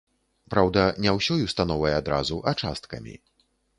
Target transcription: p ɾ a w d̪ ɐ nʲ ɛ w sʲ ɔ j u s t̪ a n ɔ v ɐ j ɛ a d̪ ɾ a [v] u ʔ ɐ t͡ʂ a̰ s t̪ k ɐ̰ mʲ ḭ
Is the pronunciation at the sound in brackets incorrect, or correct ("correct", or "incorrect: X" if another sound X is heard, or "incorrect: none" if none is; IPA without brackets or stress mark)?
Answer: incorrect: z